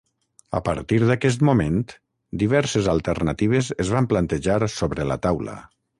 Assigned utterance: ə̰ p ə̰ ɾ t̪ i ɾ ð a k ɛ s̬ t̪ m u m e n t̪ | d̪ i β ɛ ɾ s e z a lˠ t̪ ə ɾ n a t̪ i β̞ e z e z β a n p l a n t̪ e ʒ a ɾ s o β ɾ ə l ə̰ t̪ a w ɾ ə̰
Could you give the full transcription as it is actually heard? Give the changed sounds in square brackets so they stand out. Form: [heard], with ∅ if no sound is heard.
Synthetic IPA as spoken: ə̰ p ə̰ ɾ t̪ i ɾ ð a k ɛ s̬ t̪ m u m e n t̪ | d̪ i β ɛ ɾ s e z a lˠ t̪ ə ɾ n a t̪ i β̞ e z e z β a [m] p l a n t̪ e ʒ a ɾ s o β ɾ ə l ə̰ t̪ a w [l] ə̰